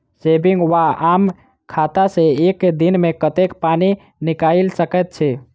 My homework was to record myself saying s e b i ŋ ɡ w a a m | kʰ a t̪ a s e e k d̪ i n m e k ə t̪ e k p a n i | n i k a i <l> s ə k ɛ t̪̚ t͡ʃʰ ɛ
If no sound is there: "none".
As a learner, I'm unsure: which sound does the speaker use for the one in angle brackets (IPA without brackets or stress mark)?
l